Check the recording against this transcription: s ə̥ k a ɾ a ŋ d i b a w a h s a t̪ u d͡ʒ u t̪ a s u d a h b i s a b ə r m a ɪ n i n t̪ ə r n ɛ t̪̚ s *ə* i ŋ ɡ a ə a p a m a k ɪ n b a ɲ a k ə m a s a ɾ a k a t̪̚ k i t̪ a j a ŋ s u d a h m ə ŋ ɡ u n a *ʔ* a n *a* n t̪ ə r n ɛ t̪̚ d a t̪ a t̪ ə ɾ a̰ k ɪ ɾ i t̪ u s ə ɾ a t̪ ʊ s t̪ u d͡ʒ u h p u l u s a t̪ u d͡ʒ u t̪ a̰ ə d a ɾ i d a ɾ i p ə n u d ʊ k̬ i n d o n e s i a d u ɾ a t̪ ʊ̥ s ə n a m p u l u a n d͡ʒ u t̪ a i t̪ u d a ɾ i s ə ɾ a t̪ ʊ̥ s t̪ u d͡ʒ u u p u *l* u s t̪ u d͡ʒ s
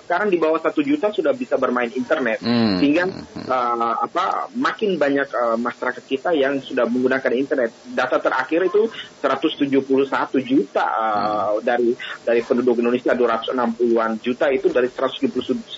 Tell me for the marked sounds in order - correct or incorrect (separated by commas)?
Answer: correct, incorrect, incorrect, correct